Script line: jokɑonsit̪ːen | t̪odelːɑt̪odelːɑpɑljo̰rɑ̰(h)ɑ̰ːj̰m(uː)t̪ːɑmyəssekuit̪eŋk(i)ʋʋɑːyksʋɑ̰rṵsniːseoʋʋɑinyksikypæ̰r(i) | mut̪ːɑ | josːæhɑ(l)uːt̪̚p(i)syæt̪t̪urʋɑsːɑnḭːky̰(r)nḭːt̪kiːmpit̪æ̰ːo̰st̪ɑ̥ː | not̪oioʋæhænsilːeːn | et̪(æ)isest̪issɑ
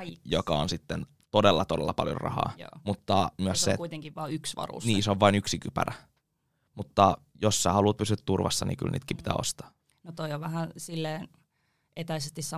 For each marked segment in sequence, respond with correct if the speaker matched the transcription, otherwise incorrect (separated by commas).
correct, incorrect, correct, incorrect, correct, incorrect, incorrect, correct